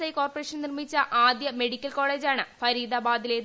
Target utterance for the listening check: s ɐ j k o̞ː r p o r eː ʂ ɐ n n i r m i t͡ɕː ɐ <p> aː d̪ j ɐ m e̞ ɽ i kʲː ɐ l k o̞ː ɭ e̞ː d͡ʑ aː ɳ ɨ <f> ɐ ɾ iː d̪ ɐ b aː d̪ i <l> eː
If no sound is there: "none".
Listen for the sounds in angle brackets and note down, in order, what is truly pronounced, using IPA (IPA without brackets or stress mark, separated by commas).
ʔ, f, l